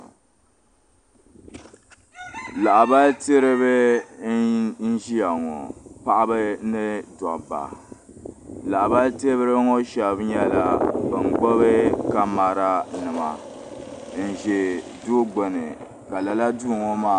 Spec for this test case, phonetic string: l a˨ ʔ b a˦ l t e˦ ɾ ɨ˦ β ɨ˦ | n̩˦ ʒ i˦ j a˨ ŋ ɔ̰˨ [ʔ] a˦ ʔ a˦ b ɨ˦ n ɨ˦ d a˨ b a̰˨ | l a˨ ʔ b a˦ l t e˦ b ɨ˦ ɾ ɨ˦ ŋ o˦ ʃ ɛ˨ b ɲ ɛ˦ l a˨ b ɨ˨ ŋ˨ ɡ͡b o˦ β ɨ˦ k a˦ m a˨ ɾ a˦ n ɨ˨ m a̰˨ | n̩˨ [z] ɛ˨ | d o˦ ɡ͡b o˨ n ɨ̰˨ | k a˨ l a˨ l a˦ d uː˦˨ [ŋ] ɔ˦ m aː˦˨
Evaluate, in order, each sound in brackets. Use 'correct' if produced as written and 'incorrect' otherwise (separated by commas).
incorrect, incorrect, correct